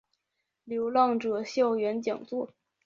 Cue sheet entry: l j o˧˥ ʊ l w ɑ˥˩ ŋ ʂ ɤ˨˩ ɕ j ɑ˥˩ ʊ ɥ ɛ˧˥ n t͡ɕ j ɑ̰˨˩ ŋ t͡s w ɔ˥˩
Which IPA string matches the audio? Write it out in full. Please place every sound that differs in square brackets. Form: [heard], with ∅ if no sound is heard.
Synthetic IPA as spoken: l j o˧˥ ʊ l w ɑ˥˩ ŋ [ʈ͡ʂ] ɤ˨˩ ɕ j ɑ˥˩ ʊ ɥ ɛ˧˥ n t͡ɕ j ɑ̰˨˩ ŋ t͡s w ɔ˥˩